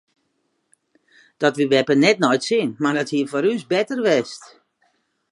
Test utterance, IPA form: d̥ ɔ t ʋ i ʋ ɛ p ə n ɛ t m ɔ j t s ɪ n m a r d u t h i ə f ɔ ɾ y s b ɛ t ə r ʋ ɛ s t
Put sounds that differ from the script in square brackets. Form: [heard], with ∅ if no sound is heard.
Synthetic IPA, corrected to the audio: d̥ ɔ t ʋ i ʋ ɛ p ə n ɛ t [n] ɔ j t s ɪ n m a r d [ɔ] t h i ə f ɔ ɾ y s b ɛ t ə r ʋ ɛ s t